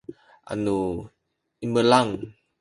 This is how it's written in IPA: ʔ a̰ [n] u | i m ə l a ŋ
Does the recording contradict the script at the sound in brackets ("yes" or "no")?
no